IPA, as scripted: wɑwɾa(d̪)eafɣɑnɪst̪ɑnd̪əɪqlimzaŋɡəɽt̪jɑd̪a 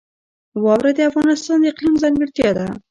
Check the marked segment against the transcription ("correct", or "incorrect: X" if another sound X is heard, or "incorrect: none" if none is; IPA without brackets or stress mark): correct